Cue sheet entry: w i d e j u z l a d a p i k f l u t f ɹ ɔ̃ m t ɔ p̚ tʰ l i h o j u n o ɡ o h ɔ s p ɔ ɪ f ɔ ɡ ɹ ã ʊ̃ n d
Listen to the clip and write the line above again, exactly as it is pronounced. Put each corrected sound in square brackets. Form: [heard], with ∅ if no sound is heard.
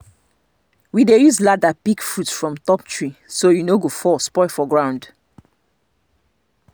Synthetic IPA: w i d e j u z l a d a p i k f [ɹ] u t f ɹ ɔ̃ m t ɔ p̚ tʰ [ɹ] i [s] o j u n o ɡ o [f] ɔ s p ɔ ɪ f ɔ ɡ ɹ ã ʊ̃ n d